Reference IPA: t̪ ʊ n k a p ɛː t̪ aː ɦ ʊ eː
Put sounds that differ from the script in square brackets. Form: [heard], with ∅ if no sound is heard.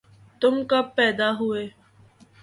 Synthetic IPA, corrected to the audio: t̪ ʊ [m] k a p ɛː [d̪] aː ɦ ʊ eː